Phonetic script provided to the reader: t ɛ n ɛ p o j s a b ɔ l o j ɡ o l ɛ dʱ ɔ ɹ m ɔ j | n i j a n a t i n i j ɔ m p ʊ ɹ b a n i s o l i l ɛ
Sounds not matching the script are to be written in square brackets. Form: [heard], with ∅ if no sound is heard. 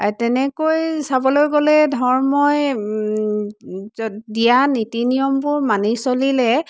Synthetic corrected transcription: t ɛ n ɛ [k] o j s a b ɔ l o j ɡ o l ɛ dʱ ɔ ɹ m ɔ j | [d] i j a n [i] t i n i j ɔ m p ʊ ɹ [m] a n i s o l i l ɛ